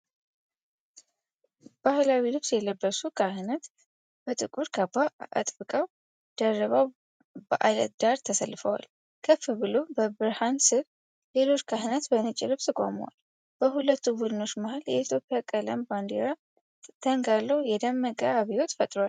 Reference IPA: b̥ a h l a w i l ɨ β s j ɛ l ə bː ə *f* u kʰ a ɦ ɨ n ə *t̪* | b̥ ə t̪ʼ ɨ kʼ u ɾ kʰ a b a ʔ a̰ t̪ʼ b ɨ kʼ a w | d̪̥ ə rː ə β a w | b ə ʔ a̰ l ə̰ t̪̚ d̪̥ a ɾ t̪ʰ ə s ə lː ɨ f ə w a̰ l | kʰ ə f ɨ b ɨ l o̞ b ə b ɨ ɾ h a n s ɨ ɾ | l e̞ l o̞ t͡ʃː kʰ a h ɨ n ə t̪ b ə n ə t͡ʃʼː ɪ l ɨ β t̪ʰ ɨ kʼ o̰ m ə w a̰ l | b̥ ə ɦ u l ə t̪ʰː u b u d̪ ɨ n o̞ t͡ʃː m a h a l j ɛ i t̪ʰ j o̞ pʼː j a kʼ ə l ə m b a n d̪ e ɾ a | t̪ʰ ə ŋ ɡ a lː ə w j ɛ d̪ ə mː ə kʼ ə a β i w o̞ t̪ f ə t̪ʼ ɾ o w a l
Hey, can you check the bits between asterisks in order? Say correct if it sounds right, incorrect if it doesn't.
incorrect, correct

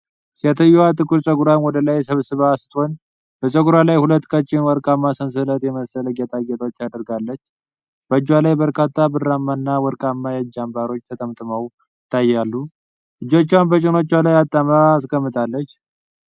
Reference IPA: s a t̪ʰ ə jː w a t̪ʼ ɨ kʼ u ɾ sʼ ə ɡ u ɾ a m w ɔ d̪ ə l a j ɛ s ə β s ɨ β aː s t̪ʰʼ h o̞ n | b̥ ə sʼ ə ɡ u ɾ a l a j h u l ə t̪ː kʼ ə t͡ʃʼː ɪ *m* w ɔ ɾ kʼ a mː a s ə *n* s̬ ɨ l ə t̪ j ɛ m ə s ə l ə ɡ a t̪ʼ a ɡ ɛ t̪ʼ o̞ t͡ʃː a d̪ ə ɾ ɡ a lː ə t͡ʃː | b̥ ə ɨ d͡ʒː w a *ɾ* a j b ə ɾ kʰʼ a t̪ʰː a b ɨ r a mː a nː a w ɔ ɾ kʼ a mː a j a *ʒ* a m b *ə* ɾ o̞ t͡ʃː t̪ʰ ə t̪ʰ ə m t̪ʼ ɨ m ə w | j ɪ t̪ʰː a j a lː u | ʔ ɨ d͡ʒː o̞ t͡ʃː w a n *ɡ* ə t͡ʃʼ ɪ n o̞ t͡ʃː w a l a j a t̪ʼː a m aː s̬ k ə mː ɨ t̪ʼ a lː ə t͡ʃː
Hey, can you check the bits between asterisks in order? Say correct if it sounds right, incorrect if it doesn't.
incorrect, correct, incorrect, incorrect, incorrect, incorrect

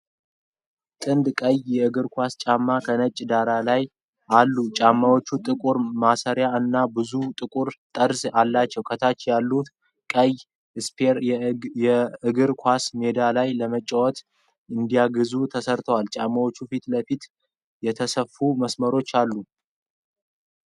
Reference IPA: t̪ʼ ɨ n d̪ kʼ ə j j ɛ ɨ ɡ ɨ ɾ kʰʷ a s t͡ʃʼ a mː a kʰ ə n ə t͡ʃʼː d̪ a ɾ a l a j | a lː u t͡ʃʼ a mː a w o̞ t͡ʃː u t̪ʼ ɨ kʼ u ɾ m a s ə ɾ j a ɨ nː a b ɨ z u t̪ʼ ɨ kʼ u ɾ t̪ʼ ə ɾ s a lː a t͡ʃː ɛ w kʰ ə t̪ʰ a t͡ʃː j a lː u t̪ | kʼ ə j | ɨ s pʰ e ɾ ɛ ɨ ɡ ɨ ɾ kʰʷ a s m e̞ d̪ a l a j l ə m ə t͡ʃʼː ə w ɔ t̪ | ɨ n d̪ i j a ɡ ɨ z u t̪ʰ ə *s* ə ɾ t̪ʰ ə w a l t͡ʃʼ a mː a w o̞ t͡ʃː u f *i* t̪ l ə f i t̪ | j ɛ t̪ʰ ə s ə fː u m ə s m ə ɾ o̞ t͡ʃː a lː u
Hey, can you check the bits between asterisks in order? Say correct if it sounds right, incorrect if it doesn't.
correct, correct

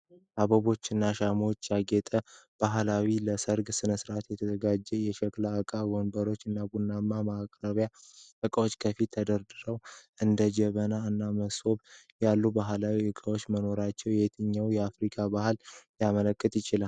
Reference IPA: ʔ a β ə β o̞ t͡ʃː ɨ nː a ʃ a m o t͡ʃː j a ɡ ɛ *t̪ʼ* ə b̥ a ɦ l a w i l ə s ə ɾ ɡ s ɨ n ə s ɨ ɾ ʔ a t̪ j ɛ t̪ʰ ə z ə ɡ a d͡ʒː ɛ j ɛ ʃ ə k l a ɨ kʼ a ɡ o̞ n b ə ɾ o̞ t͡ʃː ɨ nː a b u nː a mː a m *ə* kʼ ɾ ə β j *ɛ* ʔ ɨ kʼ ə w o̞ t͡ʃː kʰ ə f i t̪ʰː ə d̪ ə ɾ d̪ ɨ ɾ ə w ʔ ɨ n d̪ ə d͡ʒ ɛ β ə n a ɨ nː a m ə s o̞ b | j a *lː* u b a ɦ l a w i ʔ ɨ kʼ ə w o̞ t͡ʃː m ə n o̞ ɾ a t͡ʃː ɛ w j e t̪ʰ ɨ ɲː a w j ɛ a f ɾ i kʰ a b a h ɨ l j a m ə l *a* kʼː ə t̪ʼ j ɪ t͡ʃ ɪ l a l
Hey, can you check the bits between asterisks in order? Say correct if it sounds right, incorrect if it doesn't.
correct, incorrect, incorrect, correct, incorrect

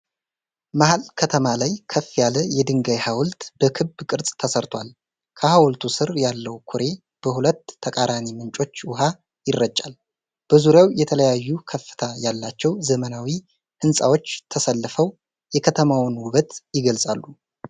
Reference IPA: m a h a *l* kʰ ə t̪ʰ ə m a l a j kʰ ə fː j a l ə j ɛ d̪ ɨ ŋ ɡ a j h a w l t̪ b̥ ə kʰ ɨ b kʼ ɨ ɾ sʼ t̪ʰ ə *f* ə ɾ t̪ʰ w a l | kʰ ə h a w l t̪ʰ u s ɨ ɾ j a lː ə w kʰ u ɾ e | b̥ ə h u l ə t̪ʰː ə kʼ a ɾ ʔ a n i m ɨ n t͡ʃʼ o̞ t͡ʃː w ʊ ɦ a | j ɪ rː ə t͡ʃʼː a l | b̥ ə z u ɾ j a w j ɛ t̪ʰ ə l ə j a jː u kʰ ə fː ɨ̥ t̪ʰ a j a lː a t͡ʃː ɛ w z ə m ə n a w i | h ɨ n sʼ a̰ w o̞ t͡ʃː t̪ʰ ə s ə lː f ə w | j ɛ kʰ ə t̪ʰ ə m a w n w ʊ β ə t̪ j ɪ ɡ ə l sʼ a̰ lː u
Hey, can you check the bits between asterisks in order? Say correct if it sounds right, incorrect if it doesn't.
correct, incorrect

